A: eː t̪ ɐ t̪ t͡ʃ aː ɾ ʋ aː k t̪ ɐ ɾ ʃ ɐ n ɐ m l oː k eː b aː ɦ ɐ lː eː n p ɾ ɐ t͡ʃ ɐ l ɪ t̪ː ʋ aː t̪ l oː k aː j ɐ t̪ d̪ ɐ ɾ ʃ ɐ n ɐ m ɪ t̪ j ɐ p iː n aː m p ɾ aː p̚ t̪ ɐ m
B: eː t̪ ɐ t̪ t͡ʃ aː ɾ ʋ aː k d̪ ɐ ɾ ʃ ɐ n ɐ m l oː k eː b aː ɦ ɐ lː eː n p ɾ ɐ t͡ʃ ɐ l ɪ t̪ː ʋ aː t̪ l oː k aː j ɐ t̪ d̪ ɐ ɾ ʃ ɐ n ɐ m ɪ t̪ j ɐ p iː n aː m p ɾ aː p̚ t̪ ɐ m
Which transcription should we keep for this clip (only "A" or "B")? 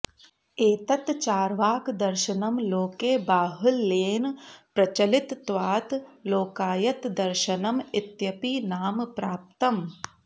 B